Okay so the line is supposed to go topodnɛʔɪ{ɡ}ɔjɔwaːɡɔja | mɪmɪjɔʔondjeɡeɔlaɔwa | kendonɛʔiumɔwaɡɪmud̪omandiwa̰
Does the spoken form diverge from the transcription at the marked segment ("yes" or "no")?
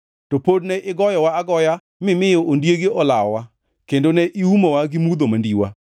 no